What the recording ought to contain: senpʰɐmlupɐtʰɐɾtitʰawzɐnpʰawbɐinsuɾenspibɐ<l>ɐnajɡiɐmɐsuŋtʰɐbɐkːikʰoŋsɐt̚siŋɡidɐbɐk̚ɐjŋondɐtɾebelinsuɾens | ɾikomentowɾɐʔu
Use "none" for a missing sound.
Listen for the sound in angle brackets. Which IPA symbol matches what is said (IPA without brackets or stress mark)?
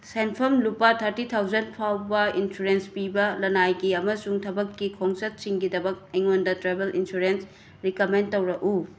l